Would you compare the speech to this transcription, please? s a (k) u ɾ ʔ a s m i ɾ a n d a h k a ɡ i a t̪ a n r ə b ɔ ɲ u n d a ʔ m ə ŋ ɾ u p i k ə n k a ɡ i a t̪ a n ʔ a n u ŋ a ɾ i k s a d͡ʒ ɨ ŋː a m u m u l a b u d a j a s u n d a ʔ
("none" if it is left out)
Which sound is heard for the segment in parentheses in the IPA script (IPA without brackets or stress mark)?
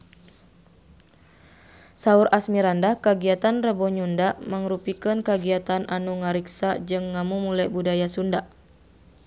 none